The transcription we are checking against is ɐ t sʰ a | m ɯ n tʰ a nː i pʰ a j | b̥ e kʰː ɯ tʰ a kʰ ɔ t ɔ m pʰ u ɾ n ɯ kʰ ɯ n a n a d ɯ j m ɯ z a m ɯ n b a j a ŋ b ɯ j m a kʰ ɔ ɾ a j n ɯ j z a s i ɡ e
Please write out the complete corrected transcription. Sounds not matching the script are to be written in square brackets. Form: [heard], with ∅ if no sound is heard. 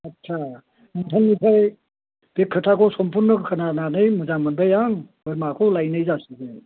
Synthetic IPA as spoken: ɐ t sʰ a | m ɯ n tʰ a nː i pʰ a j | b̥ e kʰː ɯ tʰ a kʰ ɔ [s] ɔ m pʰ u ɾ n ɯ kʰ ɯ n a n a [n] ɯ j m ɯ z a m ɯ n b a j a ŋ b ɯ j m a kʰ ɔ [l] a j n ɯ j z a s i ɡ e